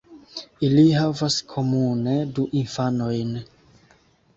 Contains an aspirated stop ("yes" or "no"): yes